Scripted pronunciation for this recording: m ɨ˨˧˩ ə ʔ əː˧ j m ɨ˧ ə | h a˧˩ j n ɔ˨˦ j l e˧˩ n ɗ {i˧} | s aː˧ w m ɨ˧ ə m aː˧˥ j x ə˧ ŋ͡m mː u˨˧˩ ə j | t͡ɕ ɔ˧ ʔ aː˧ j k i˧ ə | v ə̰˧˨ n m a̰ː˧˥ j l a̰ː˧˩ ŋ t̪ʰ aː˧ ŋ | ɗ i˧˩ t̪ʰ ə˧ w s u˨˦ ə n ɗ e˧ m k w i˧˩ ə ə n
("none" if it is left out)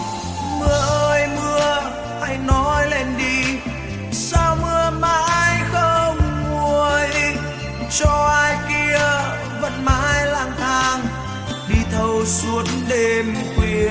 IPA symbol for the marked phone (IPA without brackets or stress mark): i˧